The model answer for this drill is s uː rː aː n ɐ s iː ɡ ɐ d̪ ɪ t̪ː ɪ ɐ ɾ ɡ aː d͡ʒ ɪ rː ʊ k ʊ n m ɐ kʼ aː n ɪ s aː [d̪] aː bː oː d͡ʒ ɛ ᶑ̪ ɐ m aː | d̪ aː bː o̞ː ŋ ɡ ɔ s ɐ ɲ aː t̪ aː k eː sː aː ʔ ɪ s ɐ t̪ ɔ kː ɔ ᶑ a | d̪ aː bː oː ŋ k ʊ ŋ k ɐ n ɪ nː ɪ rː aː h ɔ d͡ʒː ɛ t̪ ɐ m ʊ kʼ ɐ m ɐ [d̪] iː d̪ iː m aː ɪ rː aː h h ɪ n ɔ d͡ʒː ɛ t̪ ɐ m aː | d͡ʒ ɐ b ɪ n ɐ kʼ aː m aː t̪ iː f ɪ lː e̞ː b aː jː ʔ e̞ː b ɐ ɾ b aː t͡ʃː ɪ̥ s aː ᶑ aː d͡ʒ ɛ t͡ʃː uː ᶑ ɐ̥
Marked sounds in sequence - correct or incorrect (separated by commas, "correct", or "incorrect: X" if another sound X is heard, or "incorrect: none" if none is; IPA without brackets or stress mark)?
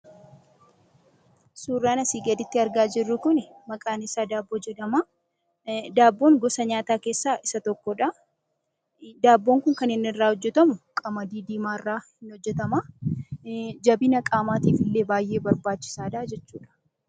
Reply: correct, correct